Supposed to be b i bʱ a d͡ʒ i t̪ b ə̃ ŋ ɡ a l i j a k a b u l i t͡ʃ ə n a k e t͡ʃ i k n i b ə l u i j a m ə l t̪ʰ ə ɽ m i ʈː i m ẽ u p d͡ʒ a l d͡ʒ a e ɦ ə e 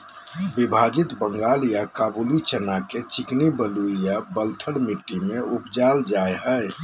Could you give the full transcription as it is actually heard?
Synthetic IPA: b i bʱ a d͡ʒ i t̪ b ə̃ ŋ ɡ a l i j a k a b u l i t͡ʃ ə n a k e t͡ʃ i k n i b ə l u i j a b ə l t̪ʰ ə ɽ m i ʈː i m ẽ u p d͡ʒ a l d͡ʒ a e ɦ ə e